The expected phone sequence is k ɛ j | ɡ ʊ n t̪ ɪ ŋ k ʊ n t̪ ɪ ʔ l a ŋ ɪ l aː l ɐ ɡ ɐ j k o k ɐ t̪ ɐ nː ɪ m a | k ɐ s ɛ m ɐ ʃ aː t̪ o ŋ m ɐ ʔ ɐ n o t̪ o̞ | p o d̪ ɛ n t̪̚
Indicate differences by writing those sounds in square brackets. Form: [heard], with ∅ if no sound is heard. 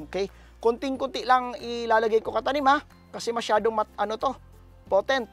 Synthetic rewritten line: k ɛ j | [k] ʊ n t̪ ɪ ŋ k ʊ n t̪ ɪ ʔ l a ŋ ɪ l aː l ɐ ɡ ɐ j k o k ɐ t̪ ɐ [n] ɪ m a | k ɐ s ɛ m ɐ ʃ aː [d̪] o ŋ m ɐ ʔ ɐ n o t̪ o̞ | p o [t̪] ɛ n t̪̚